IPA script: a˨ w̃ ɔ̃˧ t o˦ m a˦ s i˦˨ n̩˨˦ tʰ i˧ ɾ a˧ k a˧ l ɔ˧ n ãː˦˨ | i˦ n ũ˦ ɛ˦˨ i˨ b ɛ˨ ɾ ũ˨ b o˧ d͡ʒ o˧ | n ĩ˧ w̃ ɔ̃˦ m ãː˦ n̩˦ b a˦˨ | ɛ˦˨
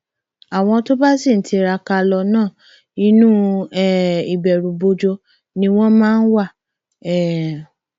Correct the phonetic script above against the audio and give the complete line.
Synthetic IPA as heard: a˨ w̃ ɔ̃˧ t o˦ b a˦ s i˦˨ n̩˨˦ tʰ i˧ ɾ a˧ k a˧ l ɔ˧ n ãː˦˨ | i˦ n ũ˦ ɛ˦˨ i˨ b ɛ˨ ɾ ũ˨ b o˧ d͡ʒ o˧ | n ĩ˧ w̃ ɔ̃˦ m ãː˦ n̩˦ w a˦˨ | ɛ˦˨